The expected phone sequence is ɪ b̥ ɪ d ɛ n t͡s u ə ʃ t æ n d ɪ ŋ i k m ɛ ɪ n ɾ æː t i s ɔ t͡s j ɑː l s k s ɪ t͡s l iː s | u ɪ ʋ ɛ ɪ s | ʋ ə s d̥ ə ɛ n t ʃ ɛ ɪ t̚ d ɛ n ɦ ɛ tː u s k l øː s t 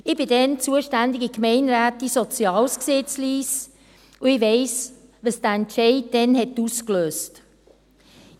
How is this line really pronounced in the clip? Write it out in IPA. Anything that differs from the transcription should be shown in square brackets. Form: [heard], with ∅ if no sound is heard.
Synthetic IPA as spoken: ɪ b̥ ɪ d ɛ n t͡s u ə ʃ t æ n d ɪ [ɡ] i k m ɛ ɪ n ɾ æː t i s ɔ t͡s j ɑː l s k s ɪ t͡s l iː s | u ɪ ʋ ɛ ɪ s | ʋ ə s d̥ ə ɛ n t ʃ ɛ ɪ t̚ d ɛ n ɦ ɛ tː u s k l øː s t